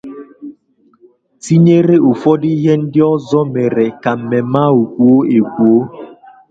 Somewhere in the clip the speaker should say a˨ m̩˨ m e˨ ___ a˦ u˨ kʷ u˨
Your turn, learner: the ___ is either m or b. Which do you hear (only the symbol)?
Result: m